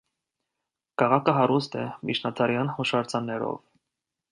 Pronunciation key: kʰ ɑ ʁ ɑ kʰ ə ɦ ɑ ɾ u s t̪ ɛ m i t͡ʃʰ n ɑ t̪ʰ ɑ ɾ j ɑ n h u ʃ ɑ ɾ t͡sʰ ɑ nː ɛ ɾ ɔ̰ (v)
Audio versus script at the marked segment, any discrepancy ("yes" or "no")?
no